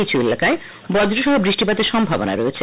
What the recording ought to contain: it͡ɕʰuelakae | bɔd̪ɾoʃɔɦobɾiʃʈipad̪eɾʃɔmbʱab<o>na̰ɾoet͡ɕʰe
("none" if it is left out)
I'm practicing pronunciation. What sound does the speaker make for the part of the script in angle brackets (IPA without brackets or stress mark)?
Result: o